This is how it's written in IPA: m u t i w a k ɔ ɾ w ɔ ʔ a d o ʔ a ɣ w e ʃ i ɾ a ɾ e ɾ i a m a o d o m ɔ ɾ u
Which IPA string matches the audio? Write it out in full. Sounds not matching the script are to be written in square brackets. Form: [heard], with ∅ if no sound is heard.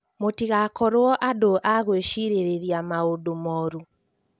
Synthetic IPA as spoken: m [o] t i [ɣ] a k ɔ ɾ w ɔ ʔ a d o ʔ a ɣ w e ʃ i ɾ [e] ɾ e ɾ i a m a o d o m ɔ ɾ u